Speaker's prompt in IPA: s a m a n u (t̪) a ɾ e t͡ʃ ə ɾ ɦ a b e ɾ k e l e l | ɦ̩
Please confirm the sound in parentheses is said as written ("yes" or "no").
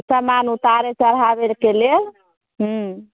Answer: yes